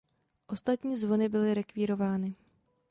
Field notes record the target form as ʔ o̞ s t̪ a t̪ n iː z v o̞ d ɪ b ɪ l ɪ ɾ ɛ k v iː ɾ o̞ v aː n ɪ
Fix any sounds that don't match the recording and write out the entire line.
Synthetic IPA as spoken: ʔ o̞ s t̪ a t̪ ɲ iː z v o̞ n ɪ b ɪ l ɪ ɾ ɛ k v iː ɾ o̞ v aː n ɪ